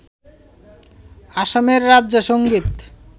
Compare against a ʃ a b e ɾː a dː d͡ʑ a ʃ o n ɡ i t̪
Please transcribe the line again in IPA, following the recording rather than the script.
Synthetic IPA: a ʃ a m e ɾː a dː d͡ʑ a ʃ o ŋ ɡ i t̪